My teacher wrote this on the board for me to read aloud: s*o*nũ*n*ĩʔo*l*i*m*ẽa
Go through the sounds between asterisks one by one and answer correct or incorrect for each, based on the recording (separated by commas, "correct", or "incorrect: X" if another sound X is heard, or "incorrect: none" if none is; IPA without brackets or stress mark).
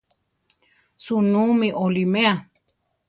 incorrect: u, incorrect: m, correct, correct